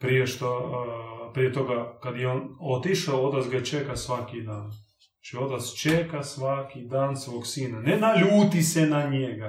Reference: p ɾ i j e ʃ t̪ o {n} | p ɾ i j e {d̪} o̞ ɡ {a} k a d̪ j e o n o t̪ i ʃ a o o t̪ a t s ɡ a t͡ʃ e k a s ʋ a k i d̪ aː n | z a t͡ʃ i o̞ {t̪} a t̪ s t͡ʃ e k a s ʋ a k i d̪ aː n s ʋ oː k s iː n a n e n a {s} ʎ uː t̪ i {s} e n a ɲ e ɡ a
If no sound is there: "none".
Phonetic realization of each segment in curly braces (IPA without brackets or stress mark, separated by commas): none, t̪, a, t̪, none, s